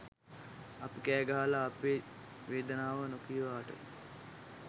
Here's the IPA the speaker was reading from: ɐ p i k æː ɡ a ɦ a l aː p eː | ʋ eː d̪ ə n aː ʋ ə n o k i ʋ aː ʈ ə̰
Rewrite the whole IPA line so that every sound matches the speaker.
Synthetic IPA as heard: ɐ p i k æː ɡ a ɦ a l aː p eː | ʋ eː d̪ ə n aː ʋ ə n o k i ʋ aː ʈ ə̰